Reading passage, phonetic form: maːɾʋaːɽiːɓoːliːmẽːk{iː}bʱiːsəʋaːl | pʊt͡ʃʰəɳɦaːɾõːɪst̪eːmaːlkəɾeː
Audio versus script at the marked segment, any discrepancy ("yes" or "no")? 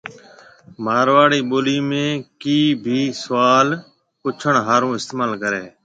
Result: no